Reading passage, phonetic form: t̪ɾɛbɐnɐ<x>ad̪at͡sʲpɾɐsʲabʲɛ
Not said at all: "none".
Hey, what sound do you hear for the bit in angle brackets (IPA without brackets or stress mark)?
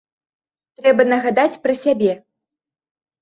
ɣ